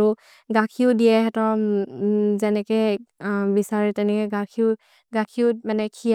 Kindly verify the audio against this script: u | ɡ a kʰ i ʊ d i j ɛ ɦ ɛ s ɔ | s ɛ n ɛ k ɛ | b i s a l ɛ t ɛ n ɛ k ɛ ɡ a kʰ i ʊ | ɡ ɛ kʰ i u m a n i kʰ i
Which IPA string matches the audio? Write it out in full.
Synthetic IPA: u | ɡ a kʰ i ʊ d i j ɛ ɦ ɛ t ɔ | z ɛ n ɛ k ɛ | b i s a ɹ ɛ t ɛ n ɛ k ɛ ɡ a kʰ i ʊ | ɡ a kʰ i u m a n ɛ kʰ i